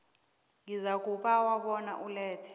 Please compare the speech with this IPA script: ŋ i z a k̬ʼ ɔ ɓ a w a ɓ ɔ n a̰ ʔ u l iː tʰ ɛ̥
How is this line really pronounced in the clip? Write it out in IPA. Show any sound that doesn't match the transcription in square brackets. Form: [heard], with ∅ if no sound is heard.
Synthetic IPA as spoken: ŋ i z a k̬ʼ [u] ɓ a w a ɓ ɔ n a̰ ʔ u l [ɛː] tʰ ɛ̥